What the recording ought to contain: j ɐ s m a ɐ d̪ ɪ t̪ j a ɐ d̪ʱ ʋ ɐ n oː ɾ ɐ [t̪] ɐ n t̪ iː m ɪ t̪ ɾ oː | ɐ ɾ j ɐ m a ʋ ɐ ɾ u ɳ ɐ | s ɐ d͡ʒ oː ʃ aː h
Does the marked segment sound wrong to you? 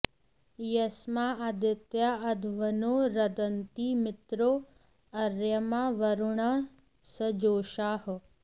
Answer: yes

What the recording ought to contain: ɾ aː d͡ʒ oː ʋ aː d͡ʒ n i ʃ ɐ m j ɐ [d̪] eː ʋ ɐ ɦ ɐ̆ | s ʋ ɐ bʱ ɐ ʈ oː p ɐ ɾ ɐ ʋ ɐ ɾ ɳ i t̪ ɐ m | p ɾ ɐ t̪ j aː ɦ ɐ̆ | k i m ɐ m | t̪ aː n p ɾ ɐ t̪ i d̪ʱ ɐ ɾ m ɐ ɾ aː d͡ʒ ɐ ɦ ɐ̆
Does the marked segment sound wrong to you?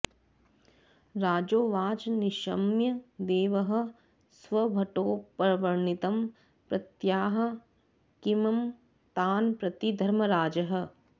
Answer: no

